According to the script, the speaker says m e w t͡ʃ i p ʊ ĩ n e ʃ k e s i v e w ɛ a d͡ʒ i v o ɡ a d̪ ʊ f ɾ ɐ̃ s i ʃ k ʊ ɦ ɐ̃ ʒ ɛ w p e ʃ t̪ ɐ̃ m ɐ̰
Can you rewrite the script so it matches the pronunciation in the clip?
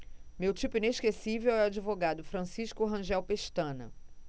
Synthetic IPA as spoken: m e w t͡ʃ i p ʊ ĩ n e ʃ k e s i v e w ɛ a d͡ʒ i v o ɡ a d̪ ʊ f ɾ ɐ̃ s i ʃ k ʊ ɦ ɐ̃ ʒ ɛ w p e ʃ t̪ ɐ̃ n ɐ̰

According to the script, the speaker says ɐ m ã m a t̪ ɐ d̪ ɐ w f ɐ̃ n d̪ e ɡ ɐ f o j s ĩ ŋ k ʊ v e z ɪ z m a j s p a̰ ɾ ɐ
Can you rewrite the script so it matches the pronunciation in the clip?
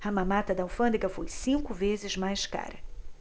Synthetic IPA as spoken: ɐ m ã m a t̪ ɐ d̪ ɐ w f ɐ̃ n d̪ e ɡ ɐ f o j s ĩ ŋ k ʊ v e z ɪ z m a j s k a̰ ɾ ɐ

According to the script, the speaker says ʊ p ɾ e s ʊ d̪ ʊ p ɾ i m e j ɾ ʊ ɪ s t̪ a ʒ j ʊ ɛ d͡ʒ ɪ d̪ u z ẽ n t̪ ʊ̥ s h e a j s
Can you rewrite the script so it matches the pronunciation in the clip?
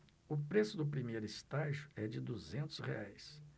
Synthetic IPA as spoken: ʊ p ɾ e s ʊ d̪ ʊ p ɾ i m e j ɾ ʊ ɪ s t̪ a ʒ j ʊ ɛ d͡ʒ ɪ d̪ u z ẽ n t̪ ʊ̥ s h e a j s

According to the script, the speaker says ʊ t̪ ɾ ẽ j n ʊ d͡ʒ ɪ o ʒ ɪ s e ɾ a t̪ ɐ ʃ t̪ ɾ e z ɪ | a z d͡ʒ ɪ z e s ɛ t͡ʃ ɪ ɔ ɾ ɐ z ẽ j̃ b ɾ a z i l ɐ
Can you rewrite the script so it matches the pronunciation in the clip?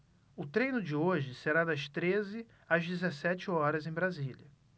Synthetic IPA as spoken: ʊ t̪ ɾ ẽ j n ʊ d͡ʒ ɪ o ʒ ɪ s e ɾ a d̪ ɐ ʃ t̪ ɾ e z ɪ | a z d͡ʒ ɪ z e s ɛ t͡ʃ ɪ ɔ ɾ ɐ z ẽ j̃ b ɾ a z i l ɐ

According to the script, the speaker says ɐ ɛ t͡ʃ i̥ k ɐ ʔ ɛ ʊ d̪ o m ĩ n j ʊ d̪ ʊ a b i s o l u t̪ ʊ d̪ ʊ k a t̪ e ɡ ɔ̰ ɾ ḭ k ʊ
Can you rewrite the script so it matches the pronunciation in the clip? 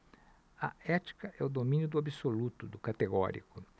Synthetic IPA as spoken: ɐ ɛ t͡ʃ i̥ k ɐ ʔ ɛ ʊ d̪ o m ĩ n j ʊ d̪ ʊ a b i s o l u t̪ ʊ d̪ ʊ k a t̪ e ɡ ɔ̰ ɾ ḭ k ʊ

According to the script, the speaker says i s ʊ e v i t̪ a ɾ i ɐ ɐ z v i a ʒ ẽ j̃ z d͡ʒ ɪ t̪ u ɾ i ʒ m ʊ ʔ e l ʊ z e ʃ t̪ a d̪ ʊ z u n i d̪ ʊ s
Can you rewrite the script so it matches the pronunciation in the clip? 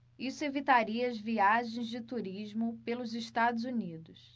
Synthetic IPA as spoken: i s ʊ e v i t̪ a ɾ i ɐ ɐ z v i a ʒ ẽ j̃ z d͡ʒ ɪ t̪ u ɾ i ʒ m ʊ p e l ʊ z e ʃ t̪ a d̪ ʊ z u n i d̪ ʊ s

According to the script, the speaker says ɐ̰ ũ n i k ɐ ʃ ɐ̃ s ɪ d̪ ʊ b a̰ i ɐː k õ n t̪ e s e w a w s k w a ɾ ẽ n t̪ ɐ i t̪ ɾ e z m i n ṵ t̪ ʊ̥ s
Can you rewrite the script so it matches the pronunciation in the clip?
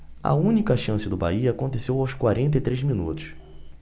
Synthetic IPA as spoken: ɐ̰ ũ n i k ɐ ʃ ɐ̃ s ɪ d̪ ʊ b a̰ i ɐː k õ n t̪ e s e w a w s k w a ɾ ẽ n t̪ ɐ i t̪ ɾ e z m i n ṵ t̪ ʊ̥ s

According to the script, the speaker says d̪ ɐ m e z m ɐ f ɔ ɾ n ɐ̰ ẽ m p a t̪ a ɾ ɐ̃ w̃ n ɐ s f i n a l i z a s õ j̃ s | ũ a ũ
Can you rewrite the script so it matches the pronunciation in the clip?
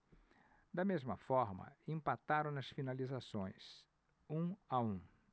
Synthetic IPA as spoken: d̪ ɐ m e z m ɐ f ɔ ɾ m ɐ̰ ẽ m p a t̪ a ɾ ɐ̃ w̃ n ɐ s f i n a l i z a s õ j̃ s | ũ a ũ

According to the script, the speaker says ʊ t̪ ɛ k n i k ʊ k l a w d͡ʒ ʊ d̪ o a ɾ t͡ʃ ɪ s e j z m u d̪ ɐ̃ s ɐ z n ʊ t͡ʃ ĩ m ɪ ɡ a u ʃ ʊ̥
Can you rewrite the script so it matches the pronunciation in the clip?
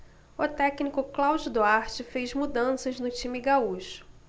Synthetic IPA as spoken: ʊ t̪ ɛ k n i k ʊ k l a w d͡ʒ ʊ d̪ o a ɾ t͡ʃ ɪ f e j z m u d̪ ɐ̃ s ɐ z n ʊ t͡ʃ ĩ m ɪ ɡ a u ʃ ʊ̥

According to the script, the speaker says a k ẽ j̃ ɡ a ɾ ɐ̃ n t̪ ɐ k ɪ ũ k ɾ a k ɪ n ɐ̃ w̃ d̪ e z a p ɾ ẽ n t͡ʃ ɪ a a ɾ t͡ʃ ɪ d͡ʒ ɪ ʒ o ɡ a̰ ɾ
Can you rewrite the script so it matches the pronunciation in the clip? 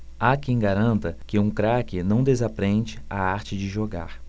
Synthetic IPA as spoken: a k ẽ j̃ ɡ a ɾ ɐ̃ n t̪ ɐ k ɪ ũ k ɾ a k ɪ n ɐ̃ w̃ d̪ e z a p ɾ ẽ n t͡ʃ ɪ a a ɾ t͡ʃ ɪ d͡ʒ ɪ ʒ o ɡ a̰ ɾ

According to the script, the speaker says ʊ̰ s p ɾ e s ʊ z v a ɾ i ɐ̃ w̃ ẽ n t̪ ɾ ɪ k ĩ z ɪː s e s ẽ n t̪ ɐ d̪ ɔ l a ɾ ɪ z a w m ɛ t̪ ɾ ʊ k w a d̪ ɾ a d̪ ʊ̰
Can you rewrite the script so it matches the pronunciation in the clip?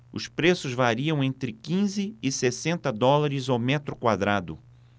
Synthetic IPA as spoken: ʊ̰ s p ɾ e s ʊ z v a ɾ i ɐ̃ w̃ ẽ n t̪ ɾ ɪ k ĩ z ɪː s e s ẽ n t̪ ɐ d̪ ɔ l a ɾ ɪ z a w m ɛ t̪ ɾ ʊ k w a d̪ ɾ a d̪ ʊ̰

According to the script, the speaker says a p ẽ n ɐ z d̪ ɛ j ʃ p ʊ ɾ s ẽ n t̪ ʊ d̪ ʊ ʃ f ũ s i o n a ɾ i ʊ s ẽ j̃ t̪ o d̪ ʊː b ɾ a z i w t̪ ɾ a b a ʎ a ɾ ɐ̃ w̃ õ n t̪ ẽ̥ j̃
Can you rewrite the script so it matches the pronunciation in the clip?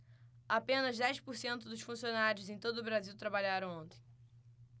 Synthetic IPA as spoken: a p ẽ n ɐ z d̪ ɛ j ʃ p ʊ ɾ s ẽ n t̪ ʊ d̪ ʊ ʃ f ũ s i o n a ɾ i ʊ z ẽ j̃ t̪ o d̪ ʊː b ɾ a z i w t̪ ɾ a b a ʎ a ɾ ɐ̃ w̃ õ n t̪ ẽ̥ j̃

